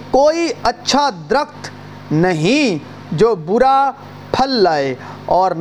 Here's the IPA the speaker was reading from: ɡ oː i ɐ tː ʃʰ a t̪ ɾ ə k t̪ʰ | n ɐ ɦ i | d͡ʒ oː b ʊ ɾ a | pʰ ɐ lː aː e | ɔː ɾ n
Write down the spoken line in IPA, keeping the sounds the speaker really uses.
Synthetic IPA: k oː i ɐ tː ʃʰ a d̪ ɾ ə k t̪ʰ | n ɐ ɦ ĩ | d͡ʒ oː b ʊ ɾ a | pʰ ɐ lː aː e | ɔː ɾ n